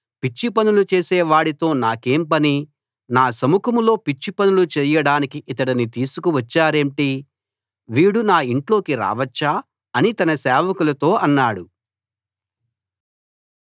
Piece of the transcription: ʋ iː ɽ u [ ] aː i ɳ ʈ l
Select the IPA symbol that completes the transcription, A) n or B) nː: A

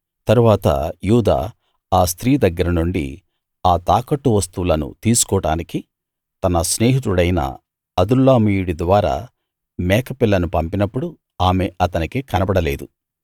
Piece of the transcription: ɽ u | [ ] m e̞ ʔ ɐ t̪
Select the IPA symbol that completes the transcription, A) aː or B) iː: A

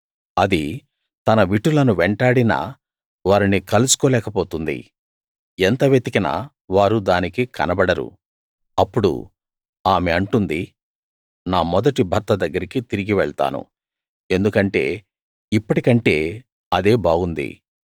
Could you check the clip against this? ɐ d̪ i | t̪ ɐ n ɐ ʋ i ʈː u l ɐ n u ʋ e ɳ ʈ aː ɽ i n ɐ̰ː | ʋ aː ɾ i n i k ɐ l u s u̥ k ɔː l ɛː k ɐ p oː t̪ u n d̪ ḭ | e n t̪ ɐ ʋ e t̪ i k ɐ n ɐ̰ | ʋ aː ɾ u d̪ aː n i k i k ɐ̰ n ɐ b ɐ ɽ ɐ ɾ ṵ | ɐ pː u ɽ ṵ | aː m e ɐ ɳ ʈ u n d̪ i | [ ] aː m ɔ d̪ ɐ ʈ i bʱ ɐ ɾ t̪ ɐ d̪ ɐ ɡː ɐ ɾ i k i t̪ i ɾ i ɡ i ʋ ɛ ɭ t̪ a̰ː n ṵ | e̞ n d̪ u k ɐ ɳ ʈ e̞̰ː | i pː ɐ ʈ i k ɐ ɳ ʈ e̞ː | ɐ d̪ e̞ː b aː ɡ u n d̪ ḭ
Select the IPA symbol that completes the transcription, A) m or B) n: B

